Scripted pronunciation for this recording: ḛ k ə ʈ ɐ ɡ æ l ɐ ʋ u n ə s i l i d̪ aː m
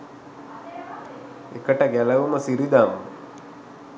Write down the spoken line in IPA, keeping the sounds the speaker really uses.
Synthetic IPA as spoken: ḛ k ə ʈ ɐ ɡ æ l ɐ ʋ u m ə s i ɾ i d̪ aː m